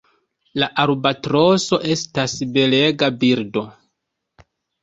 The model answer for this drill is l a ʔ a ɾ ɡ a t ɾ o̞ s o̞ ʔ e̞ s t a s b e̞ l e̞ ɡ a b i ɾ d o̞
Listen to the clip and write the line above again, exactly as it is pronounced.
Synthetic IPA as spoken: l a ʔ a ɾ b a t ɾ o̞ s o̞ ʔ e̞ s t a s b e̞ l e̞ ɡ a b i ɾ d o̞